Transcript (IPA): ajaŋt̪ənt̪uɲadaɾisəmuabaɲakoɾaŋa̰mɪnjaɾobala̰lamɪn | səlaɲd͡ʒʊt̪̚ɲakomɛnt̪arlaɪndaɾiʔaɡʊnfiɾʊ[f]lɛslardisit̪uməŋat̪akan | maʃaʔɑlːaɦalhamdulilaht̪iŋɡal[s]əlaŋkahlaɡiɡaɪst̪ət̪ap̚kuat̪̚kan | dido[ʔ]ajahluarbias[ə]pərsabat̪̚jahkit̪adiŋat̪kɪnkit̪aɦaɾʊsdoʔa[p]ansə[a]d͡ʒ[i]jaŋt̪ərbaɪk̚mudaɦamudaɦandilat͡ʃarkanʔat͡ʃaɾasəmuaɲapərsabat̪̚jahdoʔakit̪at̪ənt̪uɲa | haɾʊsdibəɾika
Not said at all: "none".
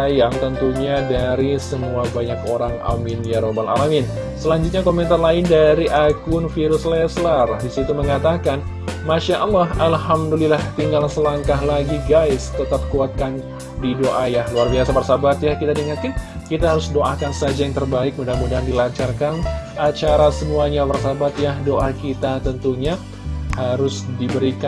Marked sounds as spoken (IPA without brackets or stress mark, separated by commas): s, s, ʔ, a, k, a, a